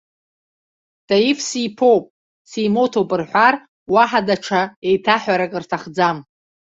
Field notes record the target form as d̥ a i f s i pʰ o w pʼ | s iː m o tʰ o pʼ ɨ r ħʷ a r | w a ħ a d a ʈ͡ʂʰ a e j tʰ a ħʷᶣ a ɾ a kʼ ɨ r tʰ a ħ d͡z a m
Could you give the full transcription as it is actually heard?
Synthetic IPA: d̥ a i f s i pʰ o w pʼ | s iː m o tʰ o pʼ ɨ r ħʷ a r | w a ħ a d a ʈ͡ʂʰ a e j tʰ a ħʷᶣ a ɾ a kʼ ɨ r tʰ a χ d͡z a m